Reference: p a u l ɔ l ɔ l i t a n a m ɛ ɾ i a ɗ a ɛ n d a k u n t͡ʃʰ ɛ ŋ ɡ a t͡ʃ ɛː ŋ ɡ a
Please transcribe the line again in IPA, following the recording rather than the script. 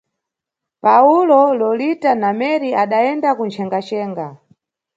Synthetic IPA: p a u l ɔ l ɔ l i t a n a m ɛ ɾ i a ɗ a ɛ n d a k u n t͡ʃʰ ɛ ŋ ɡ a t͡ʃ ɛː ŋ ɡ a